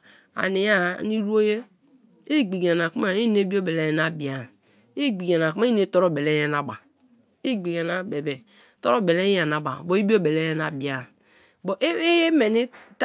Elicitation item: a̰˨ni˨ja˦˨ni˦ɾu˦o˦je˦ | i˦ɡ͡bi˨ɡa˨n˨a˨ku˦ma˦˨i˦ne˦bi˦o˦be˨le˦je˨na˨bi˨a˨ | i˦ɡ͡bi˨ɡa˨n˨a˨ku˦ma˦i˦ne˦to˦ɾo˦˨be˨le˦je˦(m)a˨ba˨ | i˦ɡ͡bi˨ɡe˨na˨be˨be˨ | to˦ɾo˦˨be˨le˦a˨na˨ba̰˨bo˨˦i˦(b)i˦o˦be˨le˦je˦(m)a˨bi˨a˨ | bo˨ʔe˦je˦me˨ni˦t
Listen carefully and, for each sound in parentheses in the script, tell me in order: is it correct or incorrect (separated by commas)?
incorrect, correct, incorrect